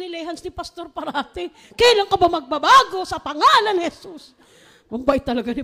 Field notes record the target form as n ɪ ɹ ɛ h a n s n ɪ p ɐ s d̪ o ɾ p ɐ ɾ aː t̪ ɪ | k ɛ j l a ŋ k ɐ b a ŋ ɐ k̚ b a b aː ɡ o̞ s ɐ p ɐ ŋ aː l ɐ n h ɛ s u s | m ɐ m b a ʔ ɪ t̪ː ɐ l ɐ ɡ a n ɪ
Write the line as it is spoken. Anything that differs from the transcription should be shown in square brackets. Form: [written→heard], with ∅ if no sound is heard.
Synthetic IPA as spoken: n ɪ [ɹ→l] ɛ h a n s n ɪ p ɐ s [d̪→t̪] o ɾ p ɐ ɾ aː t̪ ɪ | k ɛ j l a ŋ k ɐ b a [ŋ→m] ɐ [k̚→ɡ̚] b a b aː ɡ o̞ s ɐ p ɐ ŋ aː l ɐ n h ɛ s u s | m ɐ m b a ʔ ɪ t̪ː ɐ l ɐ ɡ a n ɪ